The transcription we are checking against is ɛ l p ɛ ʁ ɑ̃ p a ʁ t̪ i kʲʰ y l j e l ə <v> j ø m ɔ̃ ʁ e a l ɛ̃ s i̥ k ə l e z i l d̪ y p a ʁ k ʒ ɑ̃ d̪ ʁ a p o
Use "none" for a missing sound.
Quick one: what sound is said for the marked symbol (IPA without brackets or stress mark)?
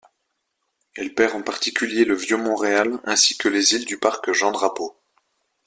v